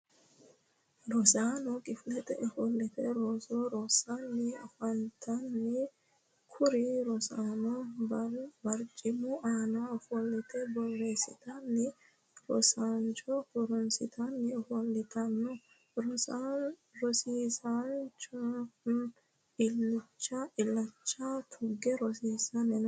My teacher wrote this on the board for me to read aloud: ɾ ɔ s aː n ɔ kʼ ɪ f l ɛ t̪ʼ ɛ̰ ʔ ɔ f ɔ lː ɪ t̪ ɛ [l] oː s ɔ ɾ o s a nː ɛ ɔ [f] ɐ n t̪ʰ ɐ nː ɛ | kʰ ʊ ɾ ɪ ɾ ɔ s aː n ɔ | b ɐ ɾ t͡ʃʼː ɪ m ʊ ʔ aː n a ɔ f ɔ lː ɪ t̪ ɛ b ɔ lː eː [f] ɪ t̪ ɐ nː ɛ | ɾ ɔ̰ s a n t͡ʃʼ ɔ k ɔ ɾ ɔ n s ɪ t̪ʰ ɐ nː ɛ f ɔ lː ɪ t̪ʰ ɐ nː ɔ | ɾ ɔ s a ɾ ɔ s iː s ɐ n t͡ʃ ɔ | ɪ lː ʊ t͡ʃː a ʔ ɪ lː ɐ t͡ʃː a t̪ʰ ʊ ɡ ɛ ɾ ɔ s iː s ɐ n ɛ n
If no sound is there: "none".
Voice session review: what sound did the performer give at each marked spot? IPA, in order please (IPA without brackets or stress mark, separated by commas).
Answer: ɾ, f, s